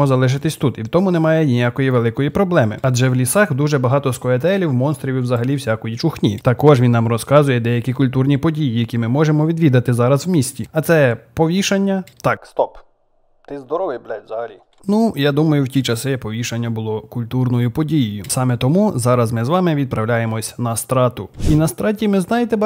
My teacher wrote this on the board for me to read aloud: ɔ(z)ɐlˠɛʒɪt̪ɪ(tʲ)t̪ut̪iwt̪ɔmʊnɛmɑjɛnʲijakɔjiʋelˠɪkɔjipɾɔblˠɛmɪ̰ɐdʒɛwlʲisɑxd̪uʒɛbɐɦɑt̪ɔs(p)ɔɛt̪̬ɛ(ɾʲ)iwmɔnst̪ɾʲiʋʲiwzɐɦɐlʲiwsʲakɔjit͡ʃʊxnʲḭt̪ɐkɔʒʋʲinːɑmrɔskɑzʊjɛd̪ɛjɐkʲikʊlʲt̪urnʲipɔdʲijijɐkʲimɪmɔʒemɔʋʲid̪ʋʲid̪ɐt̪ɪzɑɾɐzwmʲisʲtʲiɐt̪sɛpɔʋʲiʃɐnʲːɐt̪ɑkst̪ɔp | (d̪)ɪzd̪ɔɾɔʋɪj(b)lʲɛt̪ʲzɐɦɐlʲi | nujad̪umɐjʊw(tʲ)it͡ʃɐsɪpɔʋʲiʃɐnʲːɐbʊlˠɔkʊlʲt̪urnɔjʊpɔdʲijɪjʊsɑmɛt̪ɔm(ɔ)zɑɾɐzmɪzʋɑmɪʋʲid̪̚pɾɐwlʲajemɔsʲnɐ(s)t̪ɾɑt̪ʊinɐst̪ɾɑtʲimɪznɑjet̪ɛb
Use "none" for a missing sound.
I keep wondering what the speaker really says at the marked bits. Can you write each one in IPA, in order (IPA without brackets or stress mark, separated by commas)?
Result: z, sʲ, k, lʲ, t̪, b, tʲ, u, s